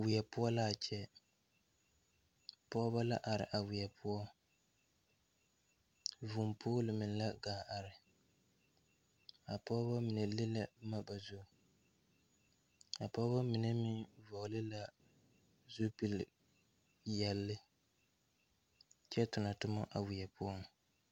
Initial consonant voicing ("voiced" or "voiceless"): voiced